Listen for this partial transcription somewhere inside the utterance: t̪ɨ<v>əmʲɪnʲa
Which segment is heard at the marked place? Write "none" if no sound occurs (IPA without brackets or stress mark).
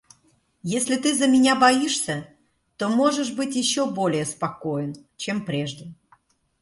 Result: z